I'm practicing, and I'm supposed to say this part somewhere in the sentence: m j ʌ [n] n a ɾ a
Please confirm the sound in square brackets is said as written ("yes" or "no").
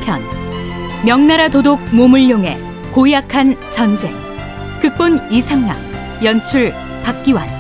no